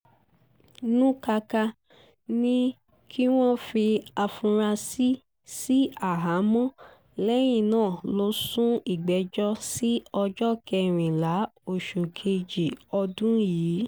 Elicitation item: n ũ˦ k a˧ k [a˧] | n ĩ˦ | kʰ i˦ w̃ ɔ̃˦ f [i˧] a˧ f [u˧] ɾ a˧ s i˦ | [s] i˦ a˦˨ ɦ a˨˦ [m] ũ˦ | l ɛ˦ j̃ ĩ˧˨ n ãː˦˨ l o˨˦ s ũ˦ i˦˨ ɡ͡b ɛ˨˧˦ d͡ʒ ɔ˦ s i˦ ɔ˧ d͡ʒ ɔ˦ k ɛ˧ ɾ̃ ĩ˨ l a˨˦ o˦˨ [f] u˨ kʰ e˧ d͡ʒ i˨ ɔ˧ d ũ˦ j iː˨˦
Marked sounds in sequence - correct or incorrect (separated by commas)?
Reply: correct, correct, incorrect, correct, correct, incorrect